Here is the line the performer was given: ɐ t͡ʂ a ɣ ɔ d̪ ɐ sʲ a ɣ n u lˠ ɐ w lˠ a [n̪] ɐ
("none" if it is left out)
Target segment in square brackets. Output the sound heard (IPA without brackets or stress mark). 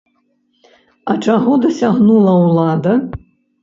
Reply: d̪